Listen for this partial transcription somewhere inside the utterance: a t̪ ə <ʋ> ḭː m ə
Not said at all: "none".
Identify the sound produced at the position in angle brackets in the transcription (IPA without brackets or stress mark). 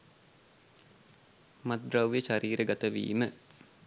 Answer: ʋ